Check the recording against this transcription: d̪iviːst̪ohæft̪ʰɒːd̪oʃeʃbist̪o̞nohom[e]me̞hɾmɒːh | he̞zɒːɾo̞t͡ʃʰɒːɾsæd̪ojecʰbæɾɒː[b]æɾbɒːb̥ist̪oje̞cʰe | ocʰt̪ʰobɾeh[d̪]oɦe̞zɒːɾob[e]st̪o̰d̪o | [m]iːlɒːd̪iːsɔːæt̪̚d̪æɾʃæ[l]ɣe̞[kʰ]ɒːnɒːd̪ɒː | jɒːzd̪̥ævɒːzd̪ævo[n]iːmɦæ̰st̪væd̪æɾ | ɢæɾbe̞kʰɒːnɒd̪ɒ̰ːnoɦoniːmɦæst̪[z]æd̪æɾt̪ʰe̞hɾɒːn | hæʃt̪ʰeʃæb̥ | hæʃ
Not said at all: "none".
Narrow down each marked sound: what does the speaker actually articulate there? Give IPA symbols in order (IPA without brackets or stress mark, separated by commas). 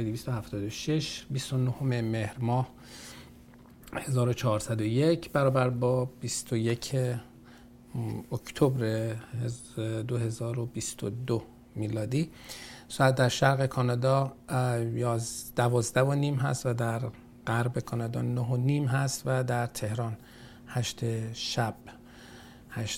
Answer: e, b, d̪, i, m, ɾ, kʰ, n, v